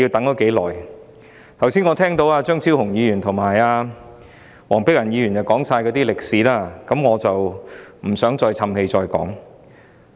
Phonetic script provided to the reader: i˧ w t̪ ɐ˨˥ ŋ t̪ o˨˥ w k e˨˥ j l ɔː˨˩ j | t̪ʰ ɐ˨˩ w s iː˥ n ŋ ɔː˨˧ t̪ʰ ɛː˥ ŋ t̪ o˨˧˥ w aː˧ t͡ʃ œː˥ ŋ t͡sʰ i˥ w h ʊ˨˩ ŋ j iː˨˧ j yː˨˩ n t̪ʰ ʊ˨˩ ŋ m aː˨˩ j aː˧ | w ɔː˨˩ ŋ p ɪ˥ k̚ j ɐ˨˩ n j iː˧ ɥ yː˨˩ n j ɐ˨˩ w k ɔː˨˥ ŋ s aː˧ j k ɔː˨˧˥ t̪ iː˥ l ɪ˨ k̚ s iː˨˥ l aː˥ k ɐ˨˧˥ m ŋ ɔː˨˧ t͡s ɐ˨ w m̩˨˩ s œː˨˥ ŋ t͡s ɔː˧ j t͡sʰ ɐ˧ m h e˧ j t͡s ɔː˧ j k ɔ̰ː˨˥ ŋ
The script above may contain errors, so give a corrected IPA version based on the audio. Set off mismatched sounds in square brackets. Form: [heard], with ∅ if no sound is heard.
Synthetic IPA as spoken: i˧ w t̪ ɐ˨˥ ŋ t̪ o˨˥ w k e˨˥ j l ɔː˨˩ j | t̪ʰ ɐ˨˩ w s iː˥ n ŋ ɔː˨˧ t̪ʰ ɛː˥ ŋ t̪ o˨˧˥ w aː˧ t͡ʃ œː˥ ŋ t͡sʰ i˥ w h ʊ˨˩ ŋ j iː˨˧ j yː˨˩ n t̪ʰ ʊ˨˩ ŋ m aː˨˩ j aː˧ | w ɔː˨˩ ŋ p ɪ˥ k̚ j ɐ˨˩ n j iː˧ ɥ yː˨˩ n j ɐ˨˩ w k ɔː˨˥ ŋ s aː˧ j k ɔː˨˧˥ t̪ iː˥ l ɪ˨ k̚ s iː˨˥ l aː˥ k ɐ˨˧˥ m ŋ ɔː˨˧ t͡s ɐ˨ w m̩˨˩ s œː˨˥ ŋ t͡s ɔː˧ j t͡sʰ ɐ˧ m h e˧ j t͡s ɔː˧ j k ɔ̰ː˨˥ ŋ